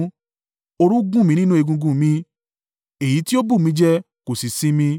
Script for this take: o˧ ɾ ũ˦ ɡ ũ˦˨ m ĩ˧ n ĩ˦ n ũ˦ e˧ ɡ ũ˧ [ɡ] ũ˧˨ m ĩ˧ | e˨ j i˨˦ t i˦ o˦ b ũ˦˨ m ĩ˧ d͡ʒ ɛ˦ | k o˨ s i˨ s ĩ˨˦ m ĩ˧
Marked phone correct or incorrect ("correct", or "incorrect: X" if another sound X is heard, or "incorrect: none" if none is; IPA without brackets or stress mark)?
correct